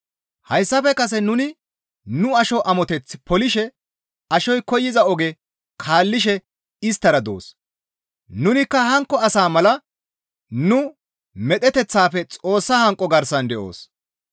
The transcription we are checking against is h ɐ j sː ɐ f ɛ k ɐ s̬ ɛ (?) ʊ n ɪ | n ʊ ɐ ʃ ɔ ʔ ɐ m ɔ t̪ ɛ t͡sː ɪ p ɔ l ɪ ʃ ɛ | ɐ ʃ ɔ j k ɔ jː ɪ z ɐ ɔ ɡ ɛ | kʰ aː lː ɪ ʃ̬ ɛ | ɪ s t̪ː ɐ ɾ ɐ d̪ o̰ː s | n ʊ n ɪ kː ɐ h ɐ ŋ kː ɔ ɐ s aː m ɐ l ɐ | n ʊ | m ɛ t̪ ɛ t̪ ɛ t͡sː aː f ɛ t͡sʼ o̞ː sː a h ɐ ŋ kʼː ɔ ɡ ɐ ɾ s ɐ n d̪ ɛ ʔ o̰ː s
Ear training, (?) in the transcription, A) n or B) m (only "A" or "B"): A